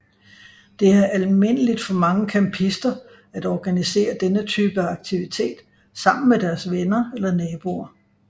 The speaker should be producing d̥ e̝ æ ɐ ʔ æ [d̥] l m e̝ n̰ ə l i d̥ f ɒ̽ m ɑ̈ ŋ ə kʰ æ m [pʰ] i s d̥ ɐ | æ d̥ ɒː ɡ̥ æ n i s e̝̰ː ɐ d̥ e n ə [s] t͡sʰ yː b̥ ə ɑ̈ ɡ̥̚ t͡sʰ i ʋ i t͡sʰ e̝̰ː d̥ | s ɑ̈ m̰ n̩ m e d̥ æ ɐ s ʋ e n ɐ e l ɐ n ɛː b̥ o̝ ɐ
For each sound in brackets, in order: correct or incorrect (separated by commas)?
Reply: incorrect, correct, incorrect